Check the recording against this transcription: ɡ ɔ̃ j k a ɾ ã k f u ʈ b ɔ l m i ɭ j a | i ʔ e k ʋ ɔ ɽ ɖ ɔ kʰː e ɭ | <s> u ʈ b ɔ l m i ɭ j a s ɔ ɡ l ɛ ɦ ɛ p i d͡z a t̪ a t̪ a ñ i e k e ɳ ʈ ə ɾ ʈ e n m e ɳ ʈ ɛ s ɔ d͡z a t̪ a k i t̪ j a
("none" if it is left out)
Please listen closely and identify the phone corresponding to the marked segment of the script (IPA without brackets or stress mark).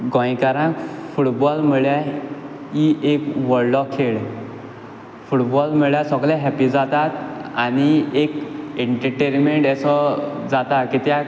f